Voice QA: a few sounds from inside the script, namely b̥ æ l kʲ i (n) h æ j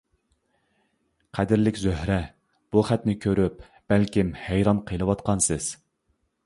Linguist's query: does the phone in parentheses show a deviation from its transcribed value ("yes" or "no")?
yes